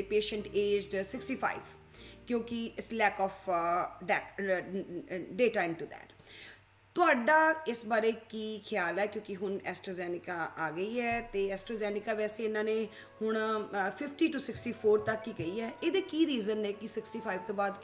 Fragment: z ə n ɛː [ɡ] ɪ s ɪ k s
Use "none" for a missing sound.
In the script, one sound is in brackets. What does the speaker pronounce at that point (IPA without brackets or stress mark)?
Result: k